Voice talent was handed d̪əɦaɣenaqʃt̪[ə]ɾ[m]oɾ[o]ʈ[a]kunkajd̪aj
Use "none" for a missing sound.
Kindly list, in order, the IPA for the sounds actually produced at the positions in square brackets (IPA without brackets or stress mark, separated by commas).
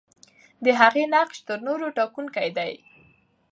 ə, n, o, ɑ